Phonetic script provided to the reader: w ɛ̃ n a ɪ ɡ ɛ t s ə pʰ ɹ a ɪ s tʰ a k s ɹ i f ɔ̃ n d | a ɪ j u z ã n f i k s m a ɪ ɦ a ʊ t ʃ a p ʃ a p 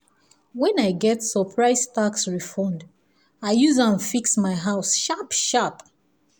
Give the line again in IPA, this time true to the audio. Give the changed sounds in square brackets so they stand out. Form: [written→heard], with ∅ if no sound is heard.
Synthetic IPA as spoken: w ɛ̃ n a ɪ ɡ ɛ t s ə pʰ ɹ a ɪ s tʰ a k s ɹ i f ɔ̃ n d | a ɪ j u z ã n f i k s m a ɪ ɦ a ʊ [t→s] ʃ a p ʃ a p